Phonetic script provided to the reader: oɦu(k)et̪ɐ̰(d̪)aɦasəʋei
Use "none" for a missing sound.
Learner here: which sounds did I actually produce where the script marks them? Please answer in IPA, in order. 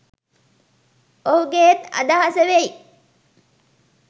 ɡ, d̪

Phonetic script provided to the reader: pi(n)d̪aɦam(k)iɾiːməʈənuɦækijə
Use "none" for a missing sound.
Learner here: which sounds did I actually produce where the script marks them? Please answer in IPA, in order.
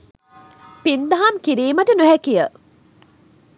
n, k

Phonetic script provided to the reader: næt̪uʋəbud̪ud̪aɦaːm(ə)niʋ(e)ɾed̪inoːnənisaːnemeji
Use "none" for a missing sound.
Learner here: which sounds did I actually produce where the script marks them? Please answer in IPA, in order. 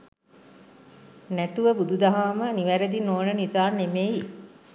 ə, æ

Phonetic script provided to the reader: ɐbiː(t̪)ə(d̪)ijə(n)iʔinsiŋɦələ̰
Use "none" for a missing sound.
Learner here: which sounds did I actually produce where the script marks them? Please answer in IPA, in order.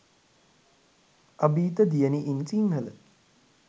t̪, d̪, n

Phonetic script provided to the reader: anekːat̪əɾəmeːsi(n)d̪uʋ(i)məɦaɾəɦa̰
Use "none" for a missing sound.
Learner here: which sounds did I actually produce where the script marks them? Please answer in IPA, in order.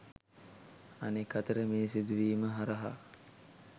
none, iː

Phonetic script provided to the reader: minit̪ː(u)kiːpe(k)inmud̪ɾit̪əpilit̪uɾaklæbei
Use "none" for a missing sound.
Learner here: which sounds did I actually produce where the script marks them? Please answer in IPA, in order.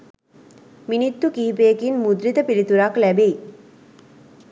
u, k

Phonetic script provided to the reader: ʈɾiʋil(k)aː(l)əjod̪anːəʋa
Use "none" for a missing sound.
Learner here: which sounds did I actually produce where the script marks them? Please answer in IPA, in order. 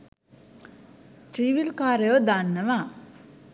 k, ɾ

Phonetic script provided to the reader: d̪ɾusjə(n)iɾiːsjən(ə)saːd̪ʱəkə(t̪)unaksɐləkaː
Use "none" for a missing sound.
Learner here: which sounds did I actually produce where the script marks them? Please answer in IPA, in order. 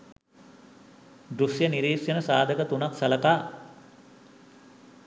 n, ə, t̪

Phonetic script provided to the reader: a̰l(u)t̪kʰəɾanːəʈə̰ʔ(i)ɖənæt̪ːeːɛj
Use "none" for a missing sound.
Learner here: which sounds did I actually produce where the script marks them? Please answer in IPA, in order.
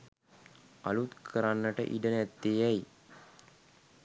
u, i

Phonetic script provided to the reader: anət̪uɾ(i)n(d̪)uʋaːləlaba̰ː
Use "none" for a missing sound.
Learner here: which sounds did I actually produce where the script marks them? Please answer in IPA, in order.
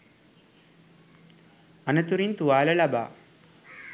i, t̪

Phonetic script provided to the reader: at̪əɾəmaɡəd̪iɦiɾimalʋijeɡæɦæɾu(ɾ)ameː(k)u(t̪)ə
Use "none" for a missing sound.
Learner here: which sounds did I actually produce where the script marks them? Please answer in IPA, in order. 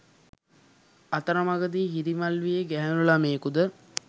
l, k, d̪

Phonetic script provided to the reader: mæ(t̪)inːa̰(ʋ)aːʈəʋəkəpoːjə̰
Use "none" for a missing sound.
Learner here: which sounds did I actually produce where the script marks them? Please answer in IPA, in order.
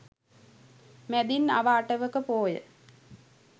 d̪, ʋ

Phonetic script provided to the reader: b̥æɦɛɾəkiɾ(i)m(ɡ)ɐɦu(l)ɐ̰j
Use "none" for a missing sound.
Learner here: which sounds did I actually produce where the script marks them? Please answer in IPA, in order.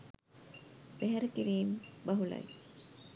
iː, b, l

